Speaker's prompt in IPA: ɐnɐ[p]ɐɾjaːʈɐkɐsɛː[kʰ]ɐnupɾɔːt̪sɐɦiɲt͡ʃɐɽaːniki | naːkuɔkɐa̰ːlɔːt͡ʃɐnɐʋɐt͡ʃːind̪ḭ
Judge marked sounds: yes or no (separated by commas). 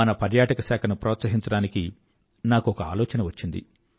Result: yes, yes